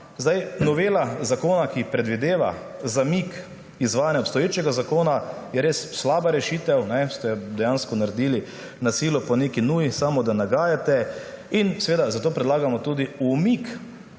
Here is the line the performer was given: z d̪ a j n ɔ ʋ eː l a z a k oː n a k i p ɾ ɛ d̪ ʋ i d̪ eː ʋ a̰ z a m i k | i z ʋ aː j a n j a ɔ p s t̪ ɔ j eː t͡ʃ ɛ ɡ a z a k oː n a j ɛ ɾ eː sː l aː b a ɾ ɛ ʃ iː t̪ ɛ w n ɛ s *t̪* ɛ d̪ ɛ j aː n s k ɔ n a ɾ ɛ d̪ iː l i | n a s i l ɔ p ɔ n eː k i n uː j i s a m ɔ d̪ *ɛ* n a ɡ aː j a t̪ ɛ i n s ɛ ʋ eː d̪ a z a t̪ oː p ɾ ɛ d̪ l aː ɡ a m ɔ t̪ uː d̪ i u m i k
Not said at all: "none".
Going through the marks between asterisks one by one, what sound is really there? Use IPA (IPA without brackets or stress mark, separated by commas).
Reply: t̪, a